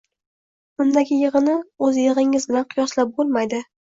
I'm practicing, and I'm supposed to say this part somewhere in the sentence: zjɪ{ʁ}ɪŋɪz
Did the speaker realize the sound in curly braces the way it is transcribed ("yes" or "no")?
yes